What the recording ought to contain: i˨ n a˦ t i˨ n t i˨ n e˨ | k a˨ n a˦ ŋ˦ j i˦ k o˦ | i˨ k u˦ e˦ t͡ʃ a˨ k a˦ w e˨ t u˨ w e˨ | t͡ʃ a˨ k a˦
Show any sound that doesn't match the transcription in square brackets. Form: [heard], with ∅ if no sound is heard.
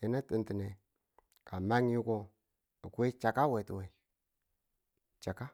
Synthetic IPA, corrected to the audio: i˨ n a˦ t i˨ n t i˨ n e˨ | k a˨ [m] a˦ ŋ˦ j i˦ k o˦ | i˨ k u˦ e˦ t͡ʃ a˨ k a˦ w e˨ t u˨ w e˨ | t͡ʃ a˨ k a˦